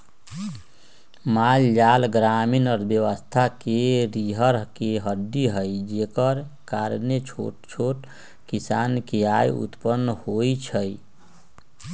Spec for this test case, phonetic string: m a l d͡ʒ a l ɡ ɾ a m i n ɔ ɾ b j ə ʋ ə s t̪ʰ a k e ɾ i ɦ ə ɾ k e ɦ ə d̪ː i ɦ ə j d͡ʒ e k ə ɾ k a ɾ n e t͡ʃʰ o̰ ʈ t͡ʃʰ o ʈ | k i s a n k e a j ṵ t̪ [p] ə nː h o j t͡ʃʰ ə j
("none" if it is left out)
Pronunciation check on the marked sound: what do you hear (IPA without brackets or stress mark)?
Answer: p